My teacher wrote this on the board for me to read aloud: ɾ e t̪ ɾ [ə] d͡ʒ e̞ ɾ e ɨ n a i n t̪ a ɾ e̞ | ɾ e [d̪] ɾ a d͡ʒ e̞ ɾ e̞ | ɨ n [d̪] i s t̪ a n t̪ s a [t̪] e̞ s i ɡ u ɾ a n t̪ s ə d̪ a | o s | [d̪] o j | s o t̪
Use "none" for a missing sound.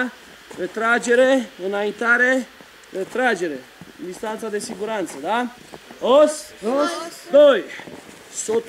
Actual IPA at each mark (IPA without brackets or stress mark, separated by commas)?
a, t̪, d̪, d̪, d̪